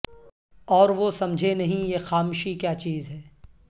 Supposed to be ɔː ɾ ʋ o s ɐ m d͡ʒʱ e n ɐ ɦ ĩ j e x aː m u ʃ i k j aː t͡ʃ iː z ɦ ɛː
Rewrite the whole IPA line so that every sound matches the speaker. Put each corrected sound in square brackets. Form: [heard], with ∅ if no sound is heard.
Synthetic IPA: ɔː ɾ ʋ o s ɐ m d͡ʒʱ e n ɐ ɦ ĩ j e x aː m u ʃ i k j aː t͡ʃ iː z ɦ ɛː